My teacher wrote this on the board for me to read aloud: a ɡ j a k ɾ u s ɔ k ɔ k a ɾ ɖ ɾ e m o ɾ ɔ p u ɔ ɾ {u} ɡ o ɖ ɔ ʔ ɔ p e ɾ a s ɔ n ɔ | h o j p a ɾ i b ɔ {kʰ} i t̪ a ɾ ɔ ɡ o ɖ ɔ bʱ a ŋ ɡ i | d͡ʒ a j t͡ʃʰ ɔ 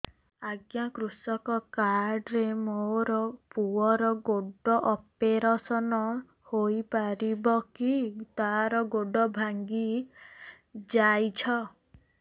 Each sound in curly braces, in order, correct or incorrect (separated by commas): incorrect, incorrect